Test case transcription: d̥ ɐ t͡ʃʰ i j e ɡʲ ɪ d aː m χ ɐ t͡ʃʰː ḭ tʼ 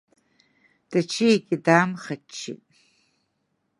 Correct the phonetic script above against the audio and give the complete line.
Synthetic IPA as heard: d̥ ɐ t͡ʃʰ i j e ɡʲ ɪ d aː m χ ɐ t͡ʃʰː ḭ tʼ